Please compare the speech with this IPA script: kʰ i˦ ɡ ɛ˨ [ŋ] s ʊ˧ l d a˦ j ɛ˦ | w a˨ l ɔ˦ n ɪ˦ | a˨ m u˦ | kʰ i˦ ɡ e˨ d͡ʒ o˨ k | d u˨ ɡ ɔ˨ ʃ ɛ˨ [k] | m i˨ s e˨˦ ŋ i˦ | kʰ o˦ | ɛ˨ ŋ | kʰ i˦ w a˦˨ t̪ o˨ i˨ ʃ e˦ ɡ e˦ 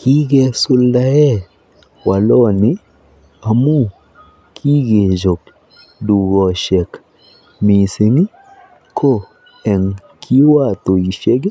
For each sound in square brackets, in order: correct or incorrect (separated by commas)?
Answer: incorrect, correct